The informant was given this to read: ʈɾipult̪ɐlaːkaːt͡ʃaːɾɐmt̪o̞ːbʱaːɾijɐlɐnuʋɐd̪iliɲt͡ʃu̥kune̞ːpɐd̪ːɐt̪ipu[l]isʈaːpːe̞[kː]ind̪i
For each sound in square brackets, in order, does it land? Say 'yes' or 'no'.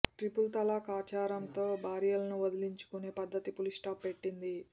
yes, no

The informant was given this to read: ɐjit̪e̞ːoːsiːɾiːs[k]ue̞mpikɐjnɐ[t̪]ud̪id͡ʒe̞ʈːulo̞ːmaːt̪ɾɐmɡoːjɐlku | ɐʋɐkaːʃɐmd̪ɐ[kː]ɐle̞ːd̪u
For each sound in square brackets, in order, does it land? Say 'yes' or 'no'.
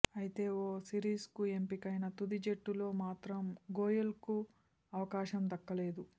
yes, yes, yes

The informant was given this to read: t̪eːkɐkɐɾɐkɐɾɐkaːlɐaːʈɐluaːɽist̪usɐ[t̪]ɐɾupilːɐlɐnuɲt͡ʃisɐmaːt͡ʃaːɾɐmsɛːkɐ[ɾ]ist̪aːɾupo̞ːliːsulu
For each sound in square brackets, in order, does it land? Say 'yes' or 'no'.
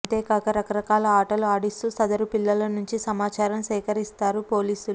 no, yes

